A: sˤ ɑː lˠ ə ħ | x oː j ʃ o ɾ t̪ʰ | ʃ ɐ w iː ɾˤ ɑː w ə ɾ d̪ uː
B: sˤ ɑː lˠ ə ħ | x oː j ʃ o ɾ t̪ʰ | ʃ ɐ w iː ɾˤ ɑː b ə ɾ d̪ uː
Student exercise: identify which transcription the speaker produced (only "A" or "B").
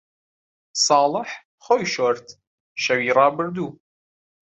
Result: B